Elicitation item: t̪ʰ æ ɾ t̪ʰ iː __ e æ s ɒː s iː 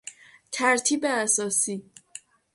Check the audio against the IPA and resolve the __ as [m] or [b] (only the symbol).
b